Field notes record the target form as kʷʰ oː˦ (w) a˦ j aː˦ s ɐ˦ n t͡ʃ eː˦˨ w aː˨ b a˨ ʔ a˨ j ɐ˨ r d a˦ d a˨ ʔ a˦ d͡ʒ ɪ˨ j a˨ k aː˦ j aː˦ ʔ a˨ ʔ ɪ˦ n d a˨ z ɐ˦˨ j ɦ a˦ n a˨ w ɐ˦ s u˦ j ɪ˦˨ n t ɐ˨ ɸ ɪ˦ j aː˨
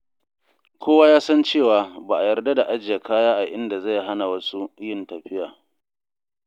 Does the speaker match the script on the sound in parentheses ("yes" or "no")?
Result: yes